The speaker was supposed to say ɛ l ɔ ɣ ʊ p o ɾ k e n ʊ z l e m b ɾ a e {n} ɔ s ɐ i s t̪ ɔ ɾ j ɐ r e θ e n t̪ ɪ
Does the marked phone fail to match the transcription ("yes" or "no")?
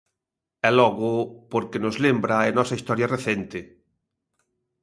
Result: no